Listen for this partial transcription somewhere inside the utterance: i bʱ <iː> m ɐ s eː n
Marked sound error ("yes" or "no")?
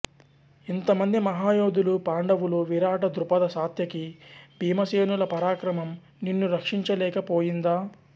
no